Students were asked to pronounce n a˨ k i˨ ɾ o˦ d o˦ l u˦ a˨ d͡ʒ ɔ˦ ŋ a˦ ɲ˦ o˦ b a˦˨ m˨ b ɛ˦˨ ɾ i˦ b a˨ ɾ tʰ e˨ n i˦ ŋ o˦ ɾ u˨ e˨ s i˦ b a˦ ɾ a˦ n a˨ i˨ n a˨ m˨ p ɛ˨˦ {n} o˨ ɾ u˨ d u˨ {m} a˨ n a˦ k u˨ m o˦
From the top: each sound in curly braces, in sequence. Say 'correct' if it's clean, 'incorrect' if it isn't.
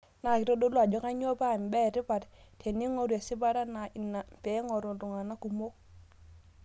incorrect: ŋ, incorrect: ŋ

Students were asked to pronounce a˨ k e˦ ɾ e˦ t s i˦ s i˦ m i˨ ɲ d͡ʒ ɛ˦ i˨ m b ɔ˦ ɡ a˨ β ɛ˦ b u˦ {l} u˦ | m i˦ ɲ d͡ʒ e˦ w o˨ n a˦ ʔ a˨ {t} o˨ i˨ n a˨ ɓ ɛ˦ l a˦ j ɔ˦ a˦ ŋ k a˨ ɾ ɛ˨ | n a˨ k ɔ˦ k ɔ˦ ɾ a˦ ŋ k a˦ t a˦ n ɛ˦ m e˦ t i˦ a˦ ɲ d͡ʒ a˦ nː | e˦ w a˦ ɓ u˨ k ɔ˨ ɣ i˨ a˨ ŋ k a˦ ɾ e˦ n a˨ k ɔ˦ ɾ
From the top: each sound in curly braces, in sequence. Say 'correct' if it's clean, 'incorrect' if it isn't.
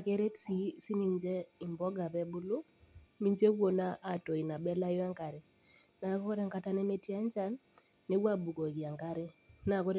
correct, correct

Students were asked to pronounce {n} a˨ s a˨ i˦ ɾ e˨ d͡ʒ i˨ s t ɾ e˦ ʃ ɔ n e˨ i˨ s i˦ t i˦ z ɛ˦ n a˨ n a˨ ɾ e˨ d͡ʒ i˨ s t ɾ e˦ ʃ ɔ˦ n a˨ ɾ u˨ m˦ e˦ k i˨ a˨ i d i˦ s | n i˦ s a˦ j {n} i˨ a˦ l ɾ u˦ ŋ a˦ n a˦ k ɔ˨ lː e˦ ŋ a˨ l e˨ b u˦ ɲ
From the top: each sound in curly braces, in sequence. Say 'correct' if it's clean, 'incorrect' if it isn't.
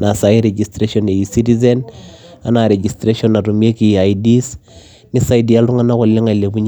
correct, incorrect: d

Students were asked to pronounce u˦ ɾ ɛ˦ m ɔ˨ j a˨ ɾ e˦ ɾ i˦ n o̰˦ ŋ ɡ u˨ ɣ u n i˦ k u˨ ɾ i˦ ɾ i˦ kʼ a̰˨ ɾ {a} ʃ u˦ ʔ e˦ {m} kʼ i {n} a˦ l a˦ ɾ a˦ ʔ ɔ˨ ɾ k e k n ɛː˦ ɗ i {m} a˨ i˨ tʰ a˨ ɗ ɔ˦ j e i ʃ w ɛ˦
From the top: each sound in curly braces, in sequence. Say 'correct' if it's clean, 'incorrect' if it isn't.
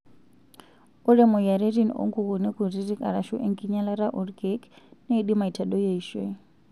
correct, incorrect: ŋ, incorrect: ɲ, correct

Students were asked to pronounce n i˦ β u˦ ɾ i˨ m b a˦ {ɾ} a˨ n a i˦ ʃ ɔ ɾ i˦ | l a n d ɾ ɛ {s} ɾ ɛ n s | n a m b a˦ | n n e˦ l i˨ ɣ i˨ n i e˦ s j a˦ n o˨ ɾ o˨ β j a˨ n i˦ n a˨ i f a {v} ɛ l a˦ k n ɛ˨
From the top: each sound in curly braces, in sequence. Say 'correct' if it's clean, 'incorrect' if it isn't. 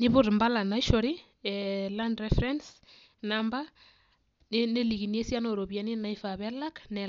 incorrect: l, incorrect: f, incorrect: β

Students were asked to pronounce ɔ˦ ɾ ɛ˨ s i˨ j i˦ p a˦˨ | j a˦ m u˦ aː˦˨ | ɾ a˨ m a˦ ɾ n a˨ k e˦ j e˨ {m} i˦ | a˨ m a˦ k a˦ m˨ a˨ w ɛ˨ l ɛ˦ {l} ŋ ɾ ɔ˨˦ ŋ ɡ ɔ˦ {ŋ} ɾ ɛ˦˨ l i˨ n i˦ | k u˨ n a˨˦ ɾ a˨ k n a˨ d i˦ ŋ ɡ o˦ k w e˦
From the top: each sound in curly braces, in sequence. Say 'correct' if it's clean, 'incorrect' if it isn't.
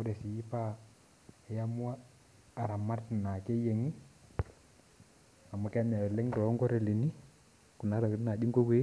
incorrect: ŋ, incorrect: none, incorrect: none

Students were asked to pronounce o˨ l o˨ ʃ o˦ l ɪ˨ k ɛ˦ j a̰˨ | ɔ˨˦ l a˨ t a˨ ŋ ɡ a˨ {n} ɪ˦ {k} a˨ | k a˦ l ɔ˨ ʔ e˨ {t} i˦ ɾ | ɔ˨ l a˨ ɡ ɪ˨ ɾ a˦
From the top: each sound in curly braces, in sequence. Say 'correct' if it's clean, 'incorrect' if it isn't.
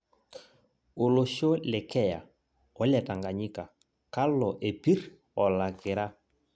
incorrect: ɲ, correct, incorrect: p

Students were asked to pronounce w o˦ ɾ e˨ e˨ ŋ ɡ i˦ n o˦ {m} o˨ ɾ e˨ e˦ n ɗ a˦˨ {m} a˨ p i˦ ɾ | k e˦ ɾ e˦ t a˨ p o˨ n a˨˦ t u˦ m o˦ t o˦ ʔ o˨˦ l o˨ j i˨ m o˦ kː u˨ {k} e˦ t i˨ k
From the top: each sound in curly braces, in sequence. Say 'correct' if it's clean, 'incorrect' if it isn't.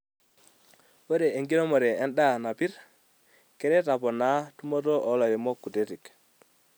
correct, incorrect: n, incorrect: t

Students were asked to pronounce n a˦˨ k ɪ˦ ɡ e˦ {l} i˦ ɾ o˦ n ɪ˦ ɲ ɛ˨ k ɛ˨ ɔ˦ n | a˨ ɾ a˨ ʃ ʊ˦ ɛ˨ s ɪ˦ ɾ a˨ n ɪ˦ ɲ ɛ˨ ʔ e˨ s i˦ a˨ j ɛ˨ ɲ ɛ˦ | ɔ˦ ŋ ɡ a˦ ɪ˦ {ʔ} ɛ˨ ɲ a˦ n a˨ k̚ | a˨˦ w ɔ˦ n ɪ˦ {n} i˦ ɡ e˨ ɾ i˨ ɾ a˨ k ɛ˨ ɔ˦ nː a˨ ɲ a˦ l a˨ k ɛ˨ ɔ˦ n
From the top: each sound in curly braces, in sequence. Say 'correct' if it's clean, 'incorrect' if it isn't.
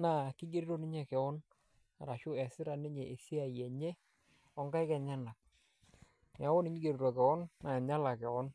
incorrect: ɾ, incorrect: k, incorrect: ɲ

